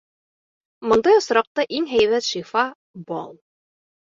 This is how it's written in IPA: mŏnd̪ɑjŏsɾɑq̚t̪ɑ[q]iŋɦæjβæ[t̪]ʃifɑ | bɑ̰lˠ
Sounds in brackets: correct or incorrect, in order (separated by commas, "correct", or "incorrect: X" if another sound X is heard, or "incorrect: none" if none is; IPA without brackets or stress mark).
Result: incorrect: ʔ, correct